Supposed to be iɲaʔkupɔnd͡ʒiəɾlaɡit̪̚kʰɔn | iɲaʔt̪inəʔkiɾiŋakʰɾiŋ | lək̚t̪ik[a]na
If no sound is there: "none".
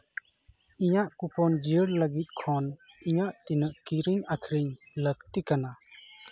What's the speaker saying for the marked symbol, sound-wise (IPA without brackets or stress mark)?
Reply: a